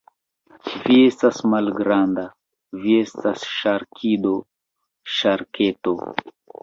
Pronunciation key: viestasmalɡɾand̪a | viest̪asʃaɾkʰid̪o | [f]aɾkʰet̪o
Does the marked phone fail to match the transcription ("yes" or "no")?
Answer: yes